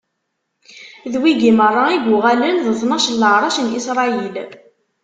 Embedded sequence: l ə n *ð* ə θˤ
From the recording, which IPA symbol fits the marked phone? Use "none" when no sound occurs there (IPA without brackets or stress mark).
ð